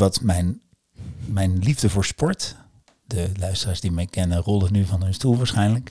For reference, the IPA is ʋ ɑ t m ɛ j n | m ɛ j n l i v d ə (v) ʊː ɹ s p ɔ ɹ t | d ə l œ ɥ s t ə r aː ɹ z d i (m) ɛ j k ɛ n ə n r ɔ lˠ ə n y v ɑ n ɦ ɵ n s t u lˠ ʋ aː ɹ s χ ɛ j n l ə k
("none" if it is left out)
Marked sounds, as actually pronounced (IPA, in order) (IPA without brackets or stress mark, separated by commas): v, m